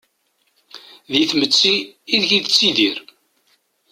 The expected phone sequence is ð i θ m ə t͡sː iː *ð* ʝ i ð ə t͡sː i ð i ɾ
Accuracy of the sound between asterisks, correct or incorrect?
correct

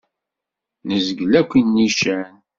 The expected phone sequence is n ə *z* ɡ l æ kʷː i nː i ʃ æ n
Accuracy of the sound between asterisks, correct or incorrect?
correct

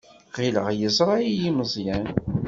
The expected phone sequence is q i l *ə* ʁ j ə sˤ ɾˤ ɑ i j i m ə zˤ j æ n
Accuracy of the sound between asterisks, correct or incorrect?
correct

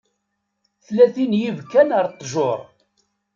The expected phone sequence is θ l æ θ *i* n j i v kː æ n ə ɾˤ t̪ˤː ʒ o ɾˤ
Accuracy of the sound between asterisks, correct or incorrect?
correct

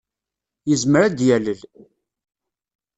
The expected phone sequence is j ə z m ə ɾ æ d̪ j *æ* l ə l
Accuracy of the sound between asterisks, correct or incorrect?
correct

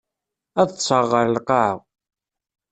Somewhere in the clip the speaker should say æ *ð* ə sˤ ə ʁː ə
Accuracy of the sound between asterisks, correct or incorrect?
correct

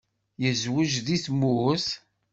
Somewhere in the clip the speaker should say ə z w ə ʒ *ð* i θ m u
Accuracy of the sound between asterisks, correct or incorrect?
correct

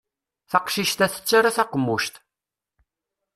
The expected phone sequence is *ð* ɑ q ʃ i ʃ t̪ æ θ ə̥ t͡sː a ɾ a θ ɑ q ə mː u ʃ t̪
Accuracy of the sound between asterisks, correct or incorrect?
incorrect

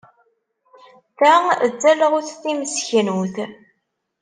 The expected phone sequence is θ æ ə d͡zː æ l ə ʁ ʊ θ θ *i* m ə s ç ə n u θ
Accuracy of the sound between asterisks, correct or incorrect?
correct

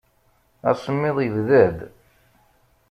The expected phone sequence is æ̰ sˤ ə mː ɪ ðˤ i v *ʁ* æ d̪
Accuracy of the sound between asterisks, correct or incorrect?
incorrect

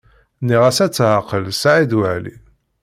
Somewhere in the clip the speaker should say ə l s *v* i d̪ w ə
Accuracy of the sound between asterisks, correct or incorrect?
incorrect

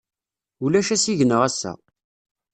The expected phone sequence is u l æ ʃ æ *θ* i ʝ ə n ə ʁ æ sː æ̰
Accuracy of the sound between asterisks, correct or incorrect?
incorrect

